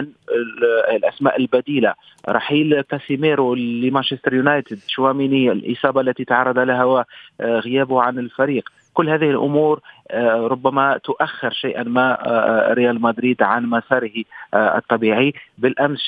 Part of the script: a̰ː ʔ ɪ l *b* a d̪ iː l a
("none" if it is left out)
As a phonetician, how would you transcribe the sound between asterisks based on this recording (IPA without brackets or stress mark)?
b